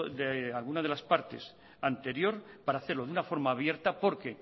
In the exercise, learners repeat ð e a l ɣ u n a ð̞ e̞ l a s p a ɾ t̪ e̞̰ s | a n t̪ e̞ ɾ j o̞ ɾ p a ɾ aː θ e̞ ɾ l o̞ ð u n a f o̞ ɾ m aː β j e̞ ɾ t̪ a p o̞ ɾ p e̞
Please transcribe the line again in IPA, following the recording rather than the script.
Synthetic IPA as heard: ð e a l ɣ u n a ð̞ e̞ l a s p a ɾ t̪ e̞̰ s | a n t̪ e̞ ɾ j o̞ ɾ p a ɾ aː θ e̞ ɾ l o̞ ð u n a f o̞ ɾ m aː β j e̞ ɾ t̪ a p o̞ ɾ k e̞